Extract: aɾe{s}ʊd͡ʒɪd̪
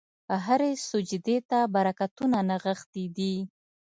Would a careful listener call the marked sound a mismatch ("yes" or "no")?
no